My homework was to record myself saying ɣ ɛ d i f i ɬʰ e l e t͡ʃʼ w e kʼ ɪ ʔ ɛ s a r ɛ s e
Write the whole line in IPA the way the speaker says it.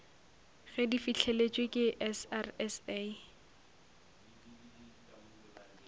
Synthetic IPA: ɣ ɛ d i f i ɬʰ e l e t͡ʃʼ w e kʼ ɪ ʔ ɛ s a r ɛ s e